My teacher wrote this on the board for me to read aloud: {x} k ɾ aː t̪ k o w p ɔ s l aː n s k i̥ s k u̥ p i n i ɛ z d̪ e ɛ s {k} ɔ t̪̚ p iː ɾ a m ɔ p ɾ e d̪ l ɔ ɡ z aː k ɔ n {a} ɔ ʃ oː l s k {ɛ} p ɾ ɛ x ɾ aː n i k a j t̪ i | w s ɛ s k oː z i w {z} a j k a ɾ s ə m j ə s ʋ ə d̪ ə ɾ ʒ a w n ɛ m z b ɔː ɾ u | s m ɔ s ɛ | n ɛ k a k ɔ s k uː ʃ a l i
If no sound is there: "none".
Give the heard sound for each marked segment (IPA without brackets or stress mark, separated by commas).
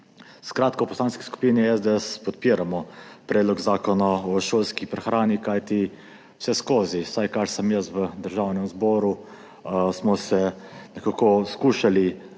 s, p, a, i, s